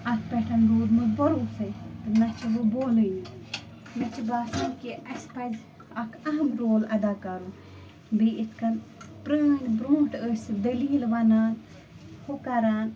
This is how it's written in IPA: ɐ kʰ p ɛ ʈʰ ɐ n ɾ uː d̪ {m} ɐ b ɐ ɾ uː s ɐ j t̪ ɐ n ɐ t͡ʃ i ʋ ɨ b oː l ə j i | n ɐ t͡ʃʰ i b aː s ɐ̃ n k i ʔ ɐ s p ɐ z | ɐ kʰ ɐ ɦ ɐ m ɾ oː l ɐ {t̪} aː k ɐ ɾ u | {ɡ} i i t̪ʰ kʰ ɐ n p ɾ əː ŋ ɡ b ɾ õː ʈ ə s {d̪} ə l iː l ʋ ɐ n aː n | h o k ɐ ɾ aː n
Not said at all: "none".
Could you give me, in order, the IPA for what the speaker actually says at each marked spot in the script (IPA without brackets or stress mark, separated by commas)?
m, d̪, b, d̪